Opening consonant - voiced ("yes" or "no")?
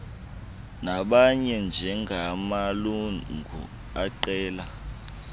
yes